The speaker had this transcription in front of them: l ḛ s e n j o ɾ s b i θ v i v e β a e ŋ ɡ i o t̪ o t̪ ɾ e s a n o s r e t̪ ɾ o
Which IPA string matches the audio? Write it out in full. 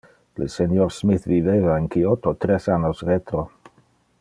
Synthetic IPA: l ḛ s e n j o ɾ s m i θ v i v e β a e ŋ k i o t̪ o t̪ ɾ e s a n o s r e t̪ ɾ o